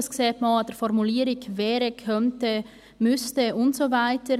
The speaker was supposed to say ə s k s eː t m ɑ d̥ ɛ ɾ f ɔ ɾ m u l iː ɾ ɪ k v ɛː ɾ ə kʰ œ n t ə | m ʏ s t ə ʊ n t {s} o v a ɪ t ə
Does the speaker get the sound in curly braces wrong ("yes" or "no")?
no